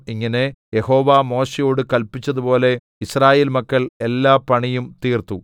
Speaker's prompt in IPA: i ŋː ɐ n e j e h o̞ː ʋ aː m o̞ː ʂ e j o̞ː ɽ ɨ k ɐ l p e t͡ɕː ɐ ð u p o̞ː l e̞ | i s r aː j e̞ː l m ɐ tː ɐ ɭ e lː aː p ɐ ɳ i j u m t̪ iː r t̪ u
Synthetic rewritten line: i ŋː ɐ n e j e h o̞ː ʋ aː m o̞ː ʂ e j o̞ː ɽ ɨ k ɐ l p i t͡ɕː ɐ ð u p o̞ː l e̞ | i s r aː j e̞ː l m ɐ kː ɐ ɭ e lː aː p ɐ ɳ i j u m t̪ iː r t̪ u